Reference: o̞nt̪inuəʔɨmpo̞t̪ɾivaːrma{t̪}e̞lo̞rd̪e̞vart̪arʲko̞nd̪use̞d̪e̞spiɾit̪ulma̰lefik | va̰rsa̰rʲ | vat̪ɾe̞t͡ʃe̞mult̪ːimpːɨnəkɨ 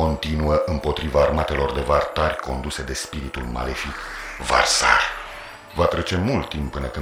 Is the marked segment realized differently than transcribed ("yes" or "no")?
no